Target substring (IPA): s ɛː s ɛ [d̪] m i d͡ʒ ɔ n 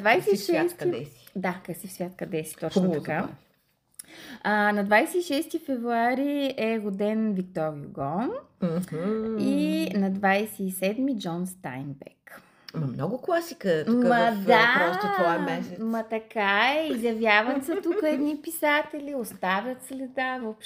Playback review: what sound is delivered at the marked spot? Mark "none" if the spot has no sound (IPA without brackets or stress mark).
d̪